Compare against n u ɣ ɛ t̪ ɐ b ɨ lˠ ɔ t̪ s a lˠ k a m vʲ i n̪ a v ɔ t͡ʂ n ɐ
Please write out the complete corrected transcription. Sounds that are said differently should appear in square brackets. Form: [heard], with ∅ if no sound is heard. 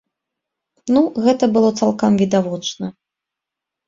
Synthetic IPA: n u ɣ ɛ t̪ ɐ b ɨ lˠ ɔ t̪ s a lˠ k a m vʲ i [d̪] a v ɔ t͡ʂ n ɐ